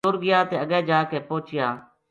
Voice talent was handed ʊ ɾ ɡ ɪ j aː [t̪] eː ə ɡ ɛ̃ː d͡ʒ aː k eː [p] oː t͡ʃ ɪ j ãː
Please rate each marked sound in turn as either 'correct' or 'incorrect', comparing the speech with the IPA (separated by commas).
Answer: correct, correct